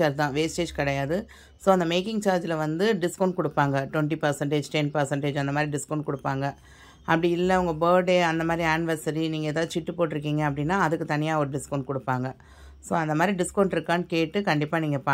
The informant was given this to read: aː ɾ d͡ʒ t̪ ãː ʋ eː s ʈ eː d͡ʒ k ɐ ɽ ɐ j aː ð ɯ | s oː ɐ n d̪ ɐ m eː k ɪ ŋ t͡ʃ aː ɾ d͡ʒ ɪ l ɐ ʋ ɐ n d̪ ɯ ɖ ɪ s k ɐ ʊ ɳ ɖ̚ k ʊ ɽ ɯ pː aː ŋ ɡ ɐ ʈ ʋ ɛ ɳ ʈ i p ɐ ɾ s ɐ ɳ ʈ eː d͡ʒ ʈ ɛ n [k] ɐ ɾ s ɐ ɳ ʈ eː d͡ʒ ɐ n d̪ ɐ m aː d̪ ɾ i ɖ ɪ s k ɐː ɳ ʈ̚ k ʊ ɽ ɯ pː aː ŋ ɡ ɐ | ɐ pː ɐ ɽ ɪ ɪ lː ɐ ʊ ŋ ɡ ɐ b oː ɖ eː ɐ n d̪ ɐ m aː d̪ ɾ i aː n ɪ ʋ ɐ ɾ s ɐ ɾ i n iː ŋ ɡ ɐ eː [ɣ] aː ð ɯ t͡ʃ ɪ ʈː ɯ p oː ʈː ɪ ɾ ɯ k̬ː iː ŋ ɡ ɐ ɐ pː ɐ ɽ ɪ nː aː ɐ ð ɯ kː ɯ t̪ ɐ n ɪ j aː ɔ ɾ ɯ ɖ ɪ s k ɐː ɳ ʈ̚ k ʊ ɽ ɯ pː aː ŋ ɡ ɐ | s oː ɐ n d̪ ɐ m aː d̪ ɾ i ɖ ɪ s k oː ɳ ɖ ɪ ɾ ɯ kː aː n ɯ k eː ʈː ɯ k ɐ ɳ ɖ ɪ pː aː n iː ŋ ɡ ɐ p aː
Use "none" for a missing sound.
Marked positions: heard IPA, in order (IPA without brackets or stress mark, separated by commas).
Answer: p, ð